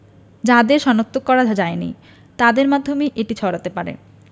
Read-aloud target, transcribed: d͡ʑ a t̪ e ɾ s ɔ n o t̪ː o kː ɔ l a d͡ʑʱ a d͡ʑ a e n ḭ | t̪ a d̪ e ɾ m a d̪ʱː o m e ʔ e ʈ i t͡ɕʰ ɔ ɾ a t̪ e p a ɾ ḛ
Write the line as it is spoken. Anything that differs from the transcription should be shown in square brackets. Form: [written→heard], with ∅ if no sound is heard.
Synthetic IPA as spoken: d͡ʑ a [t̪→d̪] e ɾ [s→ʃ] ɔ n o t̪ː o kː ɔ [l→ɾ] a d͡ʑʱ a d͡ʑ a e n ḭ | t̪ a d̪ e ɾ m a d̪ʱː o m e ʔ e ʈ i t͡ɕʰ ɔ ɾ a t̪ e p a ɾ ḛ